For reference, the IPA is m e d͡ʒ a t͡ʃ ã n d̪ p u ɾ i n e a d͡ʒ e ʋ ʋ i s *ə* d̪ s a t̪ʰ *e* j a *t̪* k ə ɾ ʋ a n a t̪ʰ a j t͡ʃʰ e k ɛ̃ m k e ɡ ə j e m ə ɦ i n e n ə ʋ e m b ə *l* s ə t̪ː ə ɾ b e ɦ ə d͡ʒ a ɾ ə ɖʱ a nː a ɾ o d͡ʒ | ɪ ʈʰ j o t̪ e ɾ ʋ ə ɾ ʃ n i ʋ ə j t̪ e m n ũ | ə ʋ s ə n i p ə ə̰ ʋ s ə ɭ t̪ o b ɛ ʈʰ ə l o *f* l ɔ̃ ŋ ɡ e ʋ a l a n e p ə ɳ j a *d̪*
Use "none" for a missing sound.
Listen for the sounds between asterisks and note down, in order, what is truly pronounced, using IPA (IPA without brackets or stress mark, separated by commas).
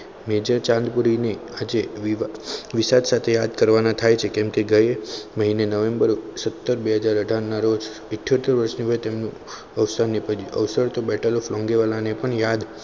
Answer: a, e, d̪, ɾ, f, d̪